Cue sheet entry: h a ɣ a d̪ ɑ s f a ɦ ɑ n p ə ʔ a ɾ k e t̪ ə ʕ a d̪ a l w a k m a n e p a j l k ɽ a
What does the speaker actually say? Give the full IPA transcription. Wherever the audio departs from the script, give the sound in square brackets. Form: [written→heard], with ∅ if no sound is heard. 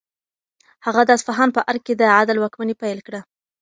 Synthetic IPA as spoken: h a ɣ a d̪ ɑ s f a ɦ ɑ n p ə ʔ a ɾ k e [t̪→d̪] ə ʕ a d̪ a l w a k m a n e p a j l k ɽ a